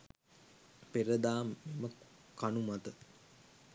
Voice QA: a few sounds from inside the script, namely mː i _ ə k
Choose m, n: m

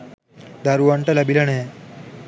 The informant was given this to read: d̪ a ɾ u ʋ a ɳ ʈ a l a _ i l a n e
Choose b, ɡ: b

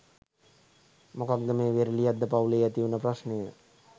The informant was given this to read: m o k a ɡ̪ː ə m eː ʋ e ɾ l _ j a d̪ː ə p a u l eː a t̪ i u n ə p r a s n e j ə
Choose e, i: i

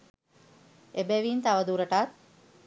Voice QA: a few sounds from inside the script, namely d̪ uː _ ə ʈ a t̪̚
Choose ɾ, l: ɾ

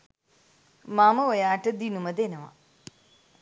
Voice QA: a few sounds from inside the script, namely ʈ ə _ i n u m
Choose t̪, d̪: d̪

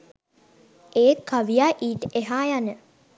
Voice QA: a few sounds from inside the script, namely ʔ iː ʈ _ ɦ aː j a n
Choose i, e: e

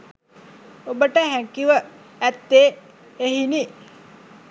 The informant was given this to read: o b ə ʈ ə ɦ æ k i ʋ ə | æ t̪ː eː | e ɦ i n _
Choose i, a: i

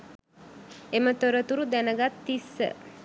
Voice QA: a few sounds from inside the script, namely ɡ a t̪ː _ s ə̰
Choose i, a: i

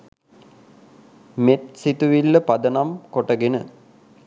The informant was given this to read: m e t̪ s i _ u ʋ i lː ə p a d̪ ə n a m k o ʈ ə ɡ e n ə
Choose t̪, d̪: t̪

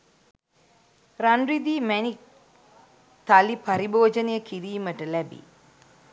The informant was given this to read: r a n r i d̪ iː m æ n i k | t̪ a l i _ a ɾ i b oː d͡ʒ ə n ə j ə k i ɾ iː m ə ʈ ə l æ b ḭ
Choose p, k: p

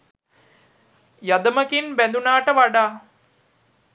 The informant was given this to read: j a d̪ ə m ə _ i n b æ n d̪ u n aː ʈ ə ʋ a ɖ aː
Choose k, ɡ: k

